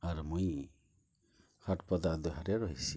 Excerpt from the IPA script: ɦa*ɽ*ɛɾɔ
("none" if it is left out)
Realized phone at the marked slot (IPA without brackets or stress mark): ɾ